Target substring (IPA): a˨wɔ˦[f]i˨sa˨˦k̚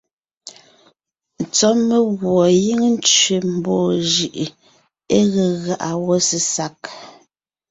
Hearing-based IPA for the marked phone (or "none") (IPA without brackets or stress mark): s